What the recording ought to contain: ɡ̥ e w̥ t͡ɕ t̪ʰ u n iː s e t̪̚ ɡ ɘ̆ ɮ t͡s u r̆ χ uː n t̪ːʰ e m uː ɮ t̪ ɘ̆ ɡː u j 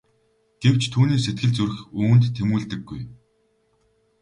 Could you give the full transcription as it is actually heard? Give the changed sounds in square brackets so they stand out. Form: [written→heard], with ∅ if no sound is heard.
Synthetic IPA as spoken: ɡ̥ e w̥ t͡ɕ t̪ʰ [u→uː] n iː s e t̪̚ ɡ ɘ̆ ɮ t͡s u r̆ [χ→x] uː n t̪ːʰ e m uː ɮ t̪ ɘ̆ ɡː u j